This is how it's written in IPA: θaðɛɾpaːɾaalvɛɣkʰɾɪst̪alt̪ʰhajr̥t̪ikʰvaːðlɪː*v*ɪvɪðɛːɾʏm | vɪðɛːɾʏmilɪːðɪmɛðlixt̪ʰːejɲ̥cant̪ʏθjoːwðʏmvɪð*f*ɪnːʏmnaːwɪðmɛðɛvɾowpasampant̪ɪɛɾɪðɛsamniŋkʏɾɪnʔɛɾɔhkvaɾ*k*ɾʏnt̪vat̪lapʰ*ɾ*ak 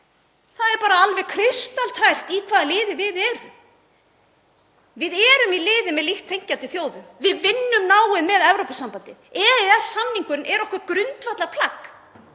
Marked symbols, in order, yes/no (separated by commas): no, no, yes, no